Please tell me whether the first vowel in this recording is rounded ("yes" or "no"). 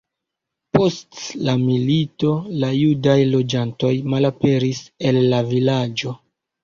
yes